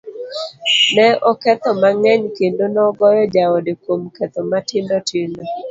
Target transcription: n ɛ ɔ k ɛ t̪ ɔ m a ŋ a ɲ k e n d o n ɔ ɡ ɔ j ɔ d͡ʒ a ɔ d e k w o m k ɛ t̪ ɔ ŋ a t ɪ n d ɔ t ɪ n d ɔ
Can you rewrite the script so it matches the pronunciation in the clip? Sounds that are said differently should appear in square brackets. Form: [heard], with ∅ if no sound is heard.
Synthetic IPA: n ɛ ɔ k ɛ t̪ ɔ m a ŋ [ɛ] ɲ k e n d o n ɔ ɡ ɔ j ɔ d͡ʒ a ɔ d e k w o m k ɛ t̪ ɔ [m] a t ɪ n d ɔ t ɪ n d ɔ

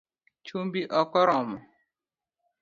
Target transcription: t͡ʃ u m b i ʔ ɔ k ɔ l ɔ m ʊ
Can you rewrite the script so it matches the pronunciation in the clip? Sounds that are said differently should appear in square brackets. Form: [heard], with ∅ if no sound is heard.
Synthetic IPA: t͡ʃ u m b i ʔ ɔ k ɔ [ɾ] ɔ m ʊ

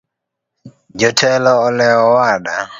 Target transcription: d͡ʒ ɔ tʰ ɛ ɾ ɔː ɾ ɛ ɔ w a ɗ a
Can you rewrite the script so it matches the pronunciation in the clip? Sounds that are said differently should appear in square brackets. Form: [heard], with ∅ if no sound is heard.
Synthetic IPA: d͡ʒ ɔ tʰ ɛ [l] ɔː [l] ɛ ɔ w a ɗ a

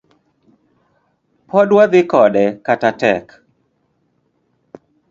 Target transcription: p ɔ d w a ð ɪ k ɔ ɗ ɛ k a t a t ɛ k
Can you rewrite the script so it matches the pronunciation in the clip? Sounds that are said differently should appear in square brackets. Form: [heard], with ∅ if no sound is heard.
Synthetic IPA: p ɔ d w a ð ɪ k ɔ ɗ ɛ k a t a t ɛ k

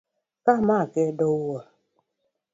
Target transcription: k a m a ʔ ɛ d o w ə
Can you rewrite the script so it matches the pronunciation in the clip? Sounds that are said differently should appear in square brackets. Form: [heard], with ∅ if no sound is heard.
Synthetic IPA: k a m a [k] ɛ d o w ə

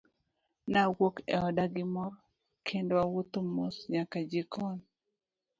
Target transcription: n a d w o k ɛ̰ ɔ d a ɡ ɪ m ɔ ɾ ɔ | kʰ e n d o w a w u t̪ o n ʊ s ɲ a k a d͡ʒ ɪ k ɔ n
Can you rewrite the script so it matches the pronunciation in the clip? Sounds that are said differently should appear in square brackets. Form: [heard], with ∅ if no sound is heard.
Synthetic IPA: n a [∅] w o k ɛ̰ ɔ d a ɡ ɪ m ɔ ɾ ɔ | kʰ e n d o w a w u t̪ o [m] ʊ s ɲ a k a d͡ʒ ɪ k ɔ n

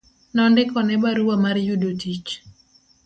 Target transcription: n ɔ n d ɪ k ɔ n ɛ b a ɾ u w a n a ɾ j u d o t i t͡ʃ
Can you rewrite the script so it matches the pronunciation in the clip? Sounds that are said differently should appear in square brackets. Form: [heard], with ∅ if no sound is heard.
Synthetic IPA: n ɔ n d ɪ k ɔ n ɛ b a ɾ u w a [m] a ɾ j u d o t i t͡ʃ

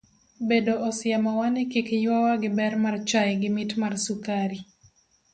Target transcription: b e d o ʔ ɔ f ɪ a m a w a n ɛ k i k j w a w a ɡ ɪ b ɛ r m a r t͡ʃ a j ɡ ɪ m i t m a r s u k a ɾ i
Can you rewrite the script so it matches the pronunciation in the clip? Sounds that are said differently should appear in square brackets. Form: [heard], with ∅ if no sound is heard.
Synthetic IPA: b e d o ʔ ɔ [s] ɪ a m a w a n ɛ k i k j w a w a ɡ ɪ b ɛ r m a r t͡ʃ a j ɡ ɪ m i t m a r s u k a ɾ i

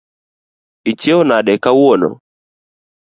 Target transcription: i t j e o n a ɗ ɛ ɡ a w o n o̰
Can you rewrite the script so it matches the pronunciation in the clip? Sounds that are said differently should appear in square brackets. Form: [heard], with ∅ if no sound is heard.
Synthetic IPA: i [t͡ʃ] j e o n a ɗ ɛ [k] a w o n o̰

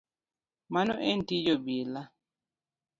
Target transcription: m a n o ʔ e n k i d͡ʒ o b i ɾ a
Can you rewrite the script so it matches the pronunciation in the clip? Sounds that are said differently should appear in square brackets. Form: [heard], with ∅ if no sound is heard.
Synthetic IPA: m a n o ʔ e n [t] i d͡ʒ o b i [l] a

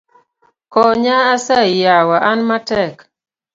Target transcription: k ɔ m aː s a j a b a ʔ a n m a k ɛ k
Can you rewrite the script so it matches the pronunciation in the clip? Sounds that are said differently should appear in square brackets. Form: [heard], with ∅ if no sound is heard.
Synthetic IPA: k ɔ [ɲ] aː s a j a [w] a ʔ a n m a [t] ɛ k

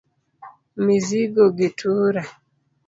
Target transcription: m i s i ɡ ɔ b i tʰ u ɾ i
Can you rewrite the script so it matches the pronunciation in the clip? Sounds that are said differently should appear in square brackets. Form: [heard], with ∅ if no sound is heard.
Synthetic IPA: m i [z] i ɡ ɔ [ɡ] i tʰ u ɾ [a]

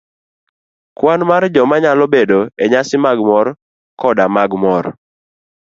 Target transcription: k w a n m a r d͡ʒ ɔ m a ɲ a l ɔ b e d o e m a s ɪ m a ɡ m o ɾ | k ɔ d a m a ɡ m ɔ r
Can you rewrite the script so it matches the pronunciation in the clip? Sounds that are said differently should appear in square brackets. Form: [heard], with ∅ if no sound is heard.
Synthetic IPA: k w a n m a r d͡ʒ ɔ m a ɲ a l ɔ b e d o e [ɲ] a s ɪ m a ɡ m [ɔ] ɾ | k ɔ d a m a ɡ m ɔ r

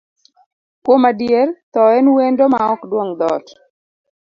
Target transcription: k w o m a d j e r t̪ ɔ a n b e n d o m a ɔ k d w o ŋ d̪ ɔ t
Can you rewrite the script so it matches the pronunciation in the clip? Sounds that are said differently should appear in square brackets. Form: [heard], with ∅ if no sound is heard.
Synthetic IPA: k w o m a d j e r t̪ ɔ [ɛ] n [w] e n d o m a ɔ k d w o ŋ d̪ ɔ t

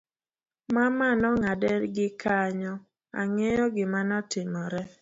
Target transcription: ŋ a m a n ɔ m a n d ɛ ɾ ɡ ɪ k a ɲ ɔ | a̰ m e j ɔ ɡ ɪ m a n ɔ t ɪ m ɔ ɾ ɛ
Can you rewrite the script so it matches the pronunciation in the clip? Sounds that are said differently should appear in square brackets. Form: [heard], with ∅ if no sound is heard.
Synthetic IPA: [m] a m a n ɔ [ŋ] a [∅] d ɛ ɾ ɡ ɪ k a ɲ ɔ | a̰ [ŋ] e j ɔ ɡ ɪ m a n ɔ t ɪ m ɔ ɾ ɛ

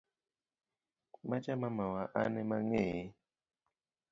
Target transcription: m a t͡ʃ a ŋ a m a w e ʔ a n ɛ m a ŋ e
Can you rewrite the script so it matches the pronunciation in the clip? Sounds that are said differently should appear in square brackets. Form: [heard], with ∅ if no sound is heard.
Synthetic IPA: m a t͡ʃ a [m] a m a w [a] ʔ a n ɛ m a ŋ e

